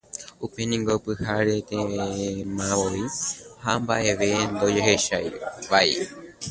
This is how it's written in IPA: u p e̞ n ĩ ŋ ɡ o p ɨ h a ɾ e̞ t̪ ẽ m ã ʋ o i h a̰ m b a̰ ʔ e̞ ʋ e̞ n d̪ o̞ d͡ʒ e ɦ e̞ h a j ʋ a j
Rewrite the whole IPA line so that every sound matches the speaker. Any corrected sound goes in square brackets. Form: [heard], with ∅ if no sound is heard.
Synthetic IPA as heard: u p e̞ n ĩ ŋ ɡ o p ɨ h a ɾ e̞ t̪ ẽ m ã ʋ o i h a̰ m b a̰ ʔ e̞ ʋ e̞ n d̪ o̞ d͡ʒ e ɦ e̞ [ʃ] a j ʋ a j